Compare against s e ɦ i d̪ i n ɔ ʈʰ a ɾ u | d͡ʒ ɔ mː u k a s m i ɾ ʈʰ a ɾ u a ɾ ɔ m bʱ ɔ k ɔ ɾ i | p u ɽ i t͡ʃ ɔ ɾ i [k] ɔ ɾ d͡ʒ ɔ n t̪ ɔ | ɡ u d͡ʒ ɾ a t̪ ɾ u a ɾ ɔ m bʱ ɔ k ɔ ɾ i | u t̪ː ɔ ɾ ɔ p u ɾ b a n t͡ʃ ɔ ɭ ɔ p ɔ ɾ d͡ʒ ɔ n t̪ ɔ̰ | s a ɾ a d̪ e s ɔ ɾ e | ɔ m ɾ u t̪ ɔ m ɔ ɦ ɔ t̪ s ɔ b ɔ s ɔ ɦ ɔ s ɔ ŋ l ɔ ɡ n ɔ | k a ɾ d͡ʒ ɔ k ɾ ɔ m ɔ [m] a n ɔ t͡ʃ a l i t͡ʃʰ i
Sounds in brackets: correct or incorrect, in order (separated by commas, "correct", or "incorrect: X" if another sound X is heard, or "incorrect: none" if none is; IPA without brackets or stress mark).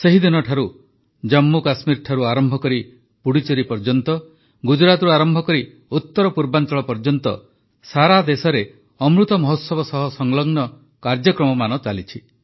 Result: incorrect: p, correct